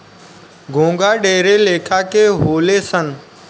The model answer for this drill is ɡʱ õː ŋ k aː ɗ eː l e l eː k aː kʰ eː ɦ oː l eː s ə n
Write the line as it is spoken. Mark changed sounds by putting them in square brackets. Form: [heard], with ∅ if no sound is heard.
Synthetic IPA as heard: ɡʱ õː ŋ [ɡ] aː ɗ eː [ɾ] e l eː [kʰ] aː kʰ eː ɦ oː l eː s ə n